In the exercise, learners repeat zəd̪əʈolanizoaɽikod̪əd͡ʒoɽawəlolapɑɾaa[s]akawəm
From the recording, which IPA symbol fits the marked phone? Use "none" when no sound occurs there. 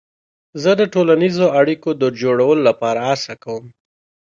s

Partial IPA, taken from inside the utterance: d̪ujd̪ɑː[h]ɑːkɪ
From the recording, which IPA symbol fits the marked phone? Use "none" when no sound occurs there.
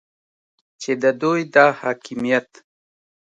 h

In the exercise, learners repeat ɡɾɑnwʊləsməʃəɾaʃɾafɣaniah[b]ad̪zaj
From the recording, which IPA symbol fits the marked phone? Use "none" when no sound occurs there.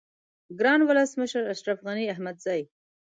m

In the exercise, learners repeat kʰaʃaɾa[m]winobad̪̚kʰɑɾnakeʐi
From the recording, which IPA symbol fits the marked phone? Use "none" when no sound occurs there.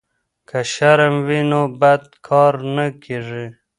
m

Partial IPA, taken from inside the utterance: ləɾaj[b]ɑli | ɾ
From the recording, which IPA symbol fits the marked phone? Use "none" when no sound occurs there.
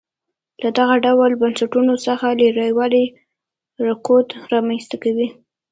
w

